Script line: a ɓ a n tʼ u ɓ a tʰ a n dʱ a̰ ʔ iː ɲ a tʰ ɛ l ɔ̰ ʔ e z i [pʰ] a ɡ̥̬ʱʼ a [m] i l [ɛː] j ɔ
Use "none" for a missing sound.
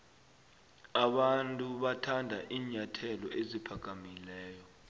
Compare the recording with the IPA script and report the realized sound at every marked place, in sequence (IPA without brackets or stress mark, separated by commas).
pʰ, m, ɛː